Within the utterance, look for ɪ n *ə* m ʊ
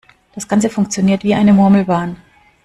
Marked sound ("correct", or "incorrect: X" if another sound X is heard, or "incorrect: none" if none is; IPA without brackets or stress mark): correct